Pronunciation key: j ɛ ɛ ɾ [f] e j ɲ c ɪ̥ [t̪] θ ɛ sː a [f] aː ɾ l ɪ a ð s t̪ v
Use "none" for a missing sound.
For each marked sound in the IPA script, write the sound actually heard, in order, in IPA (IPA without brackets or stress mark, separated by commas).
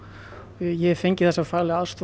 f, none, f